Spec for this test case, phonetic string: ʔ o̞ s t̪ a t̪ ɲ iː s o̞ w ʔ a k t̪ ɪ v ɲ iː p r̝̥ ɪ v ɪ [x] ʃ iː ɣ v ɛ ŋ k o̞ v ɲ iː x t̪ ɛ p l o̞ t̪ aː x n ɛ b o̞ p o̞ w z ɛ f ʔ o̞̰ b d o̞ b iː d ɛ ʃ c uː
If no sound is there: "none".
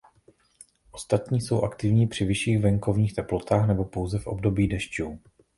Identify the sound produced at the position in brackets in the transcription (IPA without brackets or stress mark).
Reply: none